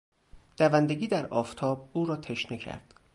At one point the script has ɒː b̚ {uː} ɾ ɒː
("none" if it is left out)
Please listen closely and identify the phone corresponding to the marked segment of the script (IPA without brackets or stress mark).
uː